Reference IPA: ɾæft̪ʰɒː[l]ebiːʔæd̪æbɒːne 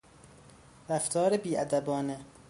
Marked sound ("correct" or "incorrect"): incorrect